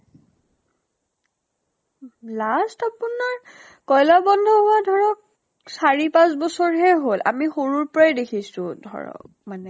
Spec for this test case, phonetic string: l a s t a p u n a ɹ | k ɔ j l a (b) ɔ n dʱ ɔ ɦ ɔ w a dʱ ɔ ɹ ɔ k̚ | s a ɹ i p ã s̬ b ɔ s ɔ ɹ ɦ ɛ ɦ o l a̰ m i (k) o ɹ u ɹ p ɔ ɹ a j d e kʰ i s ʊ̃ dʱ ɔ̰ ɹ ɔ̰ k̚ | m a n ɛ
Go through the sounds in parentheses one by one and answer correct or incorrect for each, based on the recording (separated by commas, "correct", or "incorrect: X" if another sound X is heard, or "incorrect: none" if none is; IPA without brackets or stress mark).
correct, incorrect: x